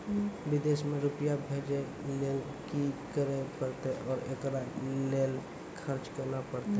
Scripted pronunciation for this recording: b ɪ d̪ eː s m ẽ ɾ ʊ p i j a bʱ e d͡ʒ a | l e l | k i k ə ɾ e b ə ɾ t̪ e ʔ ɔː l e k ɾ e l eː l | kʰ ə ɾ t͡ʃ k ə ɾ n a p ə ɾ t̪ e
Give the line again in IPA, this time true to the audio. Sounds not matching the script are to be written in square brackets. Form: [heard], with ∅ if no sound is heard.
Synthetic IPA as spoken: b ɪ d̪ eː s m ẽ ɾ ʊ p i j a bʱ e d͡ʒ [e] | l e l | k i k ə ɾ e [p] ə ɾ t̪ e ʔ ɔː [ɾ] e k ɾ [a] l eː l | kʰ ə ɾ t͡ʃ k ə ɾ n a p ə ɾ t̪ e